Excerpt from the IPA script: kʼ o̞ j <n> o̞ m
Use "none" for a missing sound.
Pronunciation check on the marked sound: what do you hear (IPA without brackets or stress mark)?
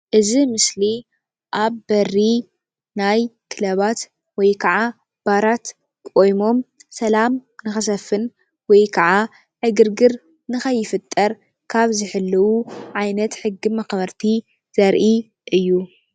m